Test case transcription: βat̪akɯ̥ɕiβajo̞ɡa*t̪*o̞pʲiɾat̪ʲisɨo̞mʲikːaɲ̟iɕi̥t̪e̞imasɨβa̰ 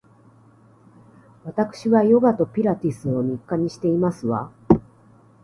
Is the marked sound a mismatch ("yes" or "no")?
no